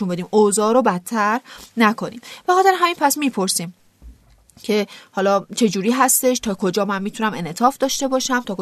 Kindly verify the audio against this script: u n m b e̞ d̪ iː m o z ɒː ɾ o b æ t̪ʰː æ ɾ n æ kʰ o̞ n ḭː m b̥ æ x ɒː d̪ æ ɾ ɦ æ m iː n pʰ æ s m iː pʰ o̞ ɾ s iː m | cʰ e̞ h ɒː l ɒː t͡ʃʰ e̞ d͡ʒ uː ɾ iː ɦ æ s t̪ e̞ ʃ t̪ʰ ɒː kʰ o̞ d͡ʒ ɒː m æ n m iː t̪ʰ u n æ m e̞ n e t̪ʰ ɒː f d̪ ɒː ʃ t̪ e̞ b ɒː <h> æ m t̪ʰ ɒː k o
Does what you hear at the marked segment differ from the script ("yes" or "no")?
yes